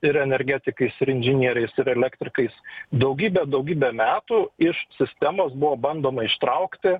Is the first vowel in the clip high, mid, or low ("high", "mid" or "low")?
high